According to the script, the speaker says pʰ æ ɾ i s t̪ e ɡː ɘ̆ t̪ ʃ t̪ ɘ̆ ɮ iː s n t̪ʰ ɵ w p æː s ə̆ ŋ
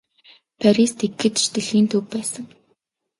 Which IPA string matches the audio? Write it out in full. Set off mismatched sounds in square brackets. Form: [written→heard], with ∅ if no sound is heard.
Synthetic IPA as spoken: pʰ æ ɾ i s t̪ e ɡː ɘ̆ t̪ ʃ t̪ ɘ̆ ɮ iː [s→∅] n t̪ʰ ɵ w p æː s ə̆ ŋ